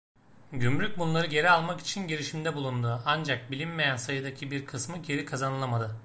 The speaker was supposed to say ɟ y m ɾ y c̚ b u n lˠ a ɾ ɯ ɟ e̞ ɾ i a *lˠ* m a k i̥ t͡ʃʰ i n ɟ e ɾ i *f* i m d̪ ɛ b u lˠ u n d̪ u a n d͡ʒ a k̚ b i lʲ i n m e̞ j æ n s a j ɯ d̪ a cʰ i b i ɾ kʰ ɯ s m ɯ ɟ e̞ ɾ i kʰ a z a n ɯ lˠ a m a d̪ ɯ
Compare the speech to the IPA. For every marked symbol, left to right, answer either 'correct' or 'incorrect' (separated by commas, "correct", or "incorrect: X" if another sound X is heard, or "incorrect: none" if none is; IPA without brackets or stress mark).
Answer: correct, incorrect: ʃ